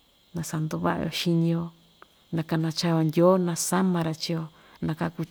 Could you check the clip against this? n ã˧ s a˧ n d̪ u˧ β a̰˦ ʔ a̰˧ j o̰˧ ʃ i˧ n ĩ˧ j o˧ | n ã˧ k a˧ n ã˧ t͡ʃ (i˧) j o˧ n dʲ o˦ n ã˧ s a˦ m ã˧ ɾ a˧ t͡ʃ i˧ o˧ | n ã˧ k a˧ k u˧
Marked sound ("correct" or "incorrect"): incorrect